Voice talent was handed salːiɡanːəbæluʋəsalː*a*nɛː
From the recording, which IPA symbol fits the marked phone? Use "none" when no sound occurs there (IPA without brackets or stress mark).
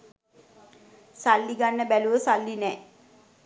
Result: i